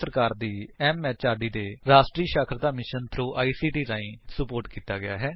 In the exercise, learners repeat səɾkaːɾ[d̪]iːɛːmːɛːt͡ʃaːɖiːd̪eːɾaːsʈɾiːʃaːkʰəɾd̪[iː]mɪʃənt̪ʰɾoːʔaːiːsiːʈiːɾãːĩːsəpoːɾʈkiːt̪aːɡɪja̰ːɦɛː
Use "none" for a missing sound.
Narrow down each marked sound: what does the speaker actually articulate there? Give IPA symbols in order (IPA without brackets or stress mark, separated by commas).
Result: d̪, aː